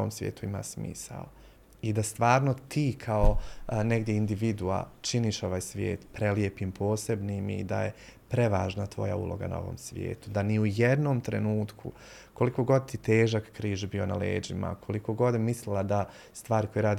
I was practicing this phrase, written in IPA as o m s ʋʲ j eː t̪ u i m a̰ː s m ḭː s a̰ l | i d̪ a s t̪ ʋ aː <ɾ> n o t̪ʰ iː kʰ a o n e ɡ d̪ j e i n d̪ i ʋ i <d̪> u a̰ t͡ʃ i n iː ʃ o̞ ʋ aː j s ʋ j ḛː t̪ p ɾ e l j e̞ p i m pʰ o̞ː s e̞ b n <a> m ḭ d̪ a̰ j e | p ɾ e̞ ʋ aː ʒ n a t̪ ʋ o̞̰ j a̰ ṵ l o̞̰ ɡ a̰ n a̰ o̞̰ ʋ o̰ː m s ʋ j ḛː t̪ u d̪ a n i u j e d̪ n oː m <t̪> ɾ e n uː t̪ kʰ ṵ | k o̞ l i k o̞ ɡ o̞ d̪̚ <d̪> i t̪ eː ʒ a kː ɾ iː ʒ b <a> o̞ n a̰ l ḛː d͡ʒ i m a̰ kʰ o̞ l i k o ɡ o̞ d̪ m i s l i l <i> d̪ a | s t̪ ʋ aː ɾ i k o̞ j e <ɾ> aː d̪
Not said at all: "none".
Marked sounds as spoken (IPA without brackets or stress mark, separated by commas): ɾ, d̪, i, t̪, t̪, i, a, ɾ